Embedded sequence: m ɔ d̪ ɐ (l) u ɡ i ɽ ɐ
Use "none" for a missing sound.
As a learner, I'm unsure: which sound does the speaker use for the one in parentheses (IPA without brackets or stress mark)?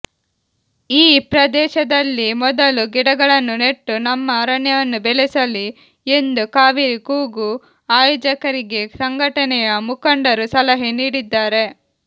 l